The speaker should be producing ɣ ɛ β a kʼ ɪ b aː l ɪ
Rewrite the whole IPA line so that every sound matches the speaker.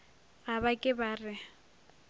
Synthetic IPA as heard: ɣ a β a kʼ ɪ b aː r ɪ